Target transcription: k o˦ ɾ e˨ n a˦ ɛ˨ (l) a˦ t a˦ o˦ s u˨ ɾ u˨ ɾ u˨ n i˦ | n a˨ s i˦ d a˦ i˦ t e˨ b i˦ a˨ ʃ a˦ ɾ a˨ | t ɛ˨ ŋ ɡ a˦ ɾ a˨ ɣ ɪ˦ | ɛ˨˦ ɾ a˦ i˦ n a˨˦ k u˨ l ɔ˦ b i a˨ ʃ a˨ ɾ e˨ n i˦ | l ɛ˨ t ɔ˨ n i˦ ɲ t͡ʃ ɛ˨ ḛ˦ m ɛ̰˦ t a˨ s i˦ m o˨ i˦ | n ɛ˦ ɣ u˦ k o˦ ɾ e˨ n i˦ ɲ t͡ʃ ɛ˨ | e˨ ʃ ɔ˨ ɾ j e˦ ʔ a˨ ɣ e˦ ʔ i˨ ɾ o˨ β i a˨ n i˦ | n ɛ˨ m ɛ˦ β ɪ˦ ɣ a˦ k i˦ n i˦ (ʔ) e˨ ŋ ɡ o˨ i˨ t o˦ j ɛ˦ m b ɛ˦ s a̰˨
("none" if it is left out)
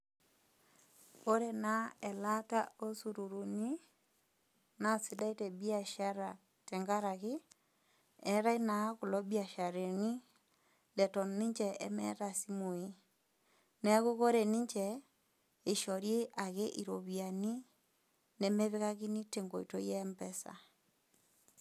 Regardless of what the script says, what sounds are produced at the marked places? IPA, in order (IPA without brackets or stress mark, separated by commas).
l, t